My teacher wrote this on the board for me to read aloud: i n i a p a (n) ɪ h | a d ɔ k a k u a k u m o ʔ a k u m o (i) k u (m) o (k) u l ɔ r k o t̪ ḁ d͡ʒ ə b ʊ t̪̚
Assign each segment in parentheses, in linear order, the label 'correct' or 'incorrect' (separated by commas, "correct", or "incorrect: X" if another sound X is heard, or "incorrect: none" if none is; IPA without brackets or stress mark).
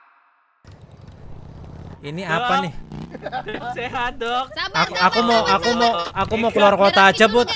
correct, incorrect: a, correct, correct